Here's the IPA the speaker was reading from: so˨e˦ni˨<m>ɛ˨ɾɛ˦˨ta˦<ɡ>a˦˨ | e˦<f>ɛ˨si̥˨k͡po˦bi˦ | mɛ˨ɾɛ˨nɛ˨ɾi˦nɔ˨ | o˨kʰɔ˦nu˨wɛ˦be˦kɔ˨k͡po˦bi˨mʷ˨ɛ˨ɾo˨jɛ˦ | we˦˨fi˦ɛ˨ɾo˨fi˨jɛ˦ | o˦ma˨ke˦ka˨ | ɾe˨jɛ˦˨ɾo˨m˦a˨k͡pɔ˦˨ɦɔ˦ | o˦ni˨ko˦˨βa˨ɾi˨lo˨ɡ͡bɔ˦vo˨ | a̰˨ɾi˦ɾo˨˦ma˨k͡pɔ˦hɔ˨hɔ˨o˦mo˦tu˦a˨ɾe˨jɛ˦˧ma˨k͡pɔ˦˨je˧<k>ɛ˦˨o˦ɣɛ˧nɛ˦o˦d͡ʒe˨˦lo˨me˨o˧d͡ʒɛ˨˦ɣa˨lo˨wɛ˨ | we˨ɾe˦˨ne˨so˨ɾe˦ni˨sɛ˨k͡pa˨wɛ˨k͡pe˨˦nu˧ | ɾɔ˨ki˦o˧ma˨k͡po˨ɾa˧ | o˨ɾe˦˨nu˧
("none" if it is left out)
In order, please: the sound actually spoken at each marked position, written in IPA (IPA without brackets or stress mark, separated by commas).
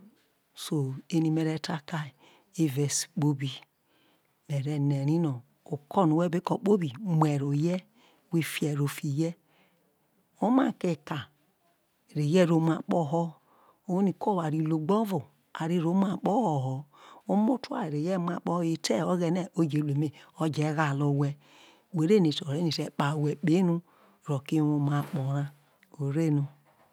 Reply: m, k, v, t